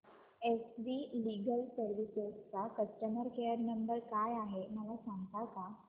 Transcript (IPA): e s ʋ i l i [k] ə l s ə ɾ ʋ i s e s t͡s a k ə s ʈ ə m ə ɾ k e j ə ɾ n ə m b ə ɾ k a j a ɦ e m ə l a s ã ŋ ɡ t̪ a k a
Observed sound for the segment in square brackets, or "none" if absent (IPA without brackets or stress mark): ɡ